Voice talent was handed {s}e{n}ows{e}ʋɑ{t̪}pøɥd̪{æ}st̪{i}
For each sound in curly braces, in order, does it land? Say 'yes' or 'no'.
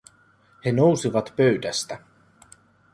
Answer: no, yes, no, yes, yes, no

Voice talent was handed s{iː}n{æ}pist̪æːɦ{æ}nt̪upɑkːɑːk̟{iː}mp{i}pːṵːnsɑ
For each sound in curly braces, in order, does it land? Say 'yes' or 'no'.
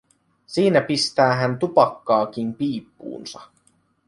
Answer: yes, yes, yes, no, no

